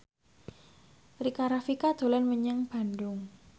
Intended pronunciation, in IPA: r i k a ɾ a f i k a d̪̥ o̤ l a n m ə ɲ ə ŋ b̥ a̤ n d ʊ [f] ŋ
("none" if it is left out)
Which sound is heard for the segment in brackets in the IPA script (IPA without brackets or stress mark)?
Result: none